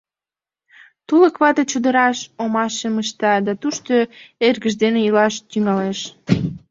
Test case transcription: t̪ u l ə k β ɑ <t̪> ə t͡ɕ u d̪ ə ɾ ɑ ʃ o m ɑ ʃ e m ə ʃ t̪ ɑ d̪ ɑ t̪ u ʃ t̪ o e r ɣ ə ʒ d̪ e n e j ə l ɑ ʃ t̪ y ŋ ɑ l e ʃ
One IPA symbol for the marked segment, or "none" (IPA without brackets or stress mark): t̪